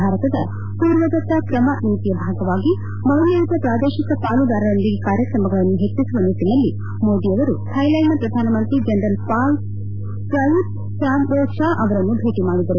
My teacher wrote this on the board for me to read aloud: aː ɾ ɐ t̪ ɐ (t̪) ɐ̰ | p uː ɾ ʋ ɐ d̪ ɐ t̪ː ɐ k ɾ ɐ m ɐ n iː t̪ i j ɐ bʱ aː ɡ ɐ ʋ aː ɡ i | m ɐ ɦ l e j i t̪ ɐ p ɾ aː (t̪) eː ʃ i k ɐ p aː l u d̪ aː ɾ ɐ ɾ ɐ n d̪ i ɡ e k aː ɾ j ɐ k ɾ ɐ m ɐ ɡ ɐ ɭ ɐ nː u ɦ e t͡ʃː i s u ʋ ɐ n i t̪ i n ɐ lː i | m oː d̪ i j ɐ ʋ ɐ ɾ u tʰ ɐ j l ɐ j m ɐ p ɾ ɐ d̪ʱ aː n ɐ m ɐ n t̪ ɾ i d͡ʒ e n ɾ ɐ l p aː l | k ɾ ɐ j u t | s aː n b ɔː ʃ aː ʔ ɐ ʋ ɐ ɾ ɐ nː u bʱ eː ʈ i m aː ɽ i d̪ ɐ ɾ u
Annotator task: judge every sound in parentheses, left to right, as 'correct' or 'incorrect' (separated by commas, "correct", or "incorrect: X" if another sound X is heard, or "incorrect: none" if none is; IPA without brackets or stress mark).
incorrect: d̪, incorrect: d̪